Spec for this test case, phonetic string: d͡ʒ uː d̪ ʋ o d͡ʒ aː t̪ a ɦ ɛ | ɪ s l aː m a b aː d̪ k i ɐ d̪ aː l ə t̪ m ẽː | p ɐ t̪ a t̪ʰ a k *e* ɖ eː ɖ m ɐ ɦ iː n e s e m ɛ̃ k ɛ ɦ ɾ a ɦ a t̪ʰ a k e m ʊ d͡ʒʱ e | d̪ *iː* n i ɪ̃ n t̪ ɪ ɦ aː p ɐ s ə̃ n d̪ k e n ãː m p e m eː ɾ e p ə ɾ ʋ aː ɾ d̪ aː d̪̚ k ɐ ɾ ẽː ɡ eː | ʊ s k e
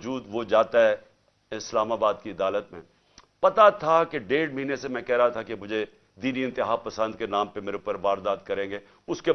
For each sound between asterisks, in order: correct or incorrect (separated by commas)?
correct, correct